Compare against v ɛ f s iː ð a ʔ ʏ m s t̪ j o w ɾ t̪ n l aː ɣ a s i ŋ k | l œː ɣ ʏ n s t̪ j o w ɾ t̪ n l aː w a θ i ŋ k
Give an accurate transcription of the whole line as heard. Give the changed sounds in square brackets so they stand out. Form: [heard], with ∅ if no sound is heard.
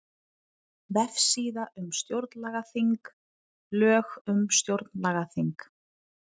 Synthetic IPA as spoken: v ɛ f s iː ð a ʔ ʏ m s t̪ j o w ɾ t̪ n l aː ɣ a [θ] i ŋ k | l œː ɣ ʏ [m] s t̪ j o w ɾ t̪ n l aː [ɣ] a θ i ŋ k

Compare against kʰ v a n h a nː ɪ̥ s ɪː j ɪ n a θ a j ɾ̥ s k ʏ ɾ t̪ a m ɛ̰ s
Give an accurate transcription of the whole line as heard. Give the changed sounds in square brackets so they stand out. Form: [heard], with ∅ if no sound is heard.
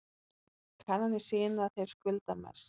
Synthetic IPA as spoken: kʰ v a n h a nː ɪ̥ s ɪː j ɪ n a θ [e] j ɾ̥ s k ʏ [l] t̪ a m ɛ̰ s

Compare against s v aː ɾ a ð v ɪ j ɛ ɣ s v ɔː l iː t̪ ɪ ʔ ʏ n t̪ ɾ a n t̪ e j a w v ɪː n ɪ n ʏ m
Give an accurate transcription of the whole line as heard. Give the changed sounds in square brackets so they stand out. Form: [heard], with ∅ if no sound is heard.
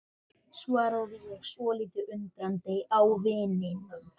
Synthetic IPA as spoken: s v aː ɾ a ð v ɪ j ɛ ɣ s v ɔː l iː t̪ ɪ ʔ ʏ n t̪ ɾ a n t̪ e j a w v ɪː n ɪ n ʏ m

